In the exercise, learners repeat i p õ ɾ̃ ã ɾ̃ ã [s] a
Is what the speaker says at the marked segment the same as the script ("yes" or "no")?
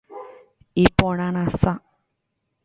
yes